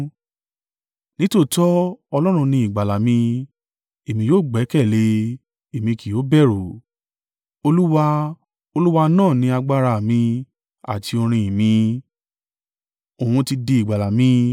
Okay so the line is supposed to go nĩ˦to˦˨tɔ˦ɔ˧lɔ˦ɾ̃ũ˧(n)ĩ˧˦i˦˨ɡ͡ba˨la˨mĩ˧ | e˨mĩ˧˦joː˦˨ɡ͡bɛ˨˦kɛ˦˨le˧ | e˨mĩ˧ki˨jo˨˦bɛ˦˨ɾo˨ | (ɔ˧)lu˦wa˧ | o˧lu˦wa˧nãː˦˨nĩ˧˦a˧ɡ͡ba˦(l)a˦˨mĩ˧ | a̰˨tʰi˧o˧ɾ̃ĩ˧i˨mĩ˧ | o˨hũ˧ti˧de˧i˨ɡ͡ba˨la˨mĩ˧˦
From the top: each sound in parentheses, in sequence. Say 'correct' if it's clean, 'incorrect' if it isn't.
correct, incorrect: o˧, incorrect: ɾ

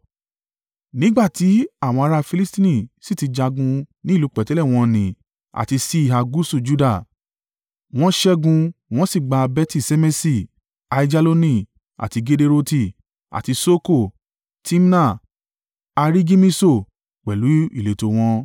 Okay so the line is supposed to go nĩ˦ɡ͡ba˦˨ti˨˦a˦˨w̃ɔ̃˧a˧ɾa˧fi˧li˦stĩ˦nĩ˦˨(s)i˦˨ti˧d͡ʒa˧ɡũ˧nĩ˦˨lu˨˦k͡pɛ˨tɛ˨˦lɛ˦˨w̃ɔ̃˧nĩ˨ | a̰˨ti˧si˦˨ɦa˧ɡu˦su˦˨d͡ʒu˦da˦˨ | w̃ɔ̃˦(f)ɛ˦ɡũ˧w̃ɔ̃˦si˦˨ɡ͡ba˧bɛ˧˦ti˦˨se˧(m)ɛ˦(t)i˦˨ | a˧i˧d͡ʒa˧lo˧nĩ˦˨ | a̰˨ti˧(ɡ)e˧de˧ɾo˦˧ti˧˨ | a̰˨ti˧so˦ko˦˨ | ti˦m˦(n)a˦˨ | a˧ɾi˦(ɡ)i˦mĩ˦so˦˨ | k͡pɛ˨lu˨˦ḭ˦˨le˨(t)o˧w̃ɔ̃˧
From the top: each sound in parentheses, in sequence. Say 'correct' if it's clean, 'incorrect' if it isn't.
correct, incorrect: ʃ, correct, incorrect: s, correct, correct, correct, correct

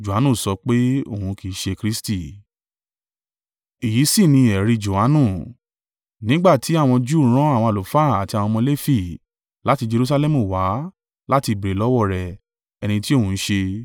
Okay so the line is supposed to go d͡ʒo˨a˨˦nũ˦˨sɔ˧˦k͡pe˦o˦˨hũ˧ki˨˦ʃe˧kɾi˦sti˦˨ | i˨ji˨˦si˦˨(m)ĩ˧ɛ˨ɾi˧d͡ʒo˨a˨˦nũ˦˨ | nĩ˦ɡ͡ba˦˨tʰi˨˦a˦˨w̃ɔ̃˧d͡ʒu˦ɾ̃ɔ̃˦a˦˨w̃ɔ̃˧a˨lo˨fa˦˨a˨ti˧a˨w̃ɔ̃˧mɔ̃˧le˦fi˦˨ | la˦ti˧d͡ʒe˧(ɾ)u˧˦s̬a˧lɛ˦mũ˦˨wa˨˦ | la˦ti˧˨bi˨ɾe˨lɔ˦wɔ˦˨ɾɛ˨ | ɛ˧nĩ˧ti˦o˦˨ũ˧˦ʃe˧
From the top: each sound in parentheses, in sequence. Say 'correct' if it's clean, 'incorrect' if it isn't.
incorrect: n, correct

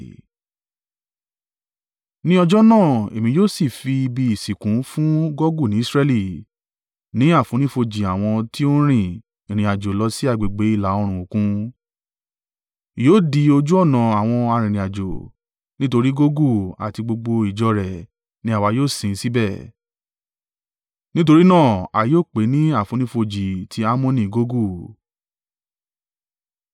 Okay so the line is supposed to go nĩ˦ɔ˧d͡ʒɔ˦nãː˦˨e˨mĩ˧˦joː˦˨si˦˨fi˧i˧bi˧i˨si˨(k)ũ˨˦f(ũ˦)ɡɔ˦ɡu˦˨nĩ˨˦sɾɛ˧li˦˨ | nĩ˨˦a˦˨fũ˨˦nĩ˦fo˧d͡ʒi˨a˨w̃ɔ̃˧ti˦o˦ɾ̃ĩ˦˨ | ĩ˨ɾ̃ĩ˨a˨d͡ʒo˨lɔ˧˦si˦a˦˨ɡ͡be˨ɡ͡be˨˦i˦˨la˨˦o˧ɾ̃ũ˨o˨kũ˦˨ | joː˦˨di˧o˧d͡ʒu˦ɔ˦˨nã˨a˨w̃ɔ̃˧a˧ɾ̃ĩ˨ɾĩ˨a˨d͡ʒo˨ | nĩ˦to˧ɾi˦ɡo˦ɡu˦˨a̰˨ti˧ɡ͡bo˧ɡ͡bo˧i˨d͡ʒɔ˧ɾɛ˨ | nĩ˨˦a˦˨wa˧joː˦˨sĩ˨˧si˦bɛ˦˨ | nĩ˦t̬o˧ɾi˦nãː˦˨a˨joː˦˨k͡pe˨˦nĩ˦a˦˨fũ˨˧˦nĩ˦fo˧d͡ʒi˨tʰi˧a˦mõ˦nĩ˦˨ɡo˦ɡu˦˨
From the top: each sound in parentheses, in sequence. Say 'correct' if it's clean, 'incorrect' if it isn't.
correct, correct

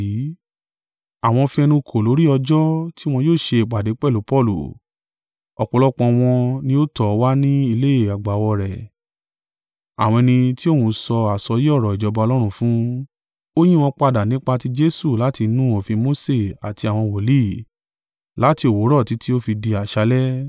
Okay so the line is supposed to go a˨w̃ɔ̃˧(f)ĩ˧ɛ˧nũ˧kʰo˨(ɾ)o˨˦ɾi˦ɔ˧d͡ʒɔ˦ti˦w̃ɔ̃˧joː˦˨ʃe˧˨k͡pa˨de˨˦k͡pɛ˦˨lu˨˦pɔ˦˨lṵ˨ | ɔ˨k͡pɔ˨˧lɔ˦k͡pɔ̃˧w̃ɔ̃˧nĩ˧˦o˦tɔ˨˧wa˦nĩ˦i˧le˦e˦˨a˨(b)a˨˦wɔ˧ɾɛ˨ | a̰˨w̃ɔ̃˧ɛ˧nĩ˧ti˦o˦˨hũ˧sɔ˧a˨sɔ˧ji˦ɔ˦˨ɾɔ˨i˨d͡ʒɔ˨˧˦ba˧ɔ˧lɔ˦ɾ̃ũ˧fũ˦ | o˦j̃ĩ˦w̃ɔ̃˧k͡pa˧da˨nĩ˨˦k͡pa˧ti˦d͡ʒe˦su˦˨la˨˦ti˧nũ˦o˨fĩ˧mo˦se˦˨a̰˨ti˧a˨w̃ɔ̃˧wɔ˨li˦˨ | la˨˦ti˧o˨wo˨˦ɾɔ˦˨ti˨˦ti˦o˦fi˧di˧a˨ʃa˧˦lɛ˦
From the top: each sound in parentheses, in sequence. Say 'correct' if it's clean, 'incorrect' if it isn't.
correct, incorrect: l, incorrect: ɡ͡b

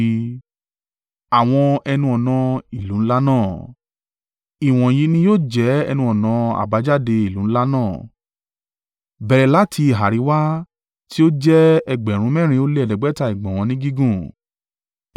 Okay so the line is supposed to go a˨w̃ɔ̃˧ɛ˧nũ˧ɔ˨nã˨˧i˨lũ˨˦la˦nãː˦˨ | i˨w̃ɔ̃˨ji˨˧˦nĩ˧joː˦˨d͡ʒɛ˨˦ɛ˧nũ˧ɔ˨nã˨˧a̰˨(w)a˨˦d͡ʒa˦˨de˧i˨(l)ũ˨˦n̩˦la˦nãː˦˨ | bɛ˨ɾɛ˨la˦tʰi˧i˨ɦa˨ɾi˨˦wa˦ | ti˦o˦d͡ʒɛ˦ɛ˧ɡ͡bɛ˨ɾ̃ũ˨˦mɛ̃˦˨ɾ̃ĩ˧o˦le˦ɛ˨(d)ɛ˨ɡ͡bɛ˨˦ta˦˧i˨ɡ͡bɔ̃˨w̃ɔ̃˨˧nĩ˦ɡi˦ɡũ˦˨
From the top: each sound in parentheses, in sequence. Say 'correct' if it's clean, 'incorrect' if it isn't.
incorrect: b, correct, correct

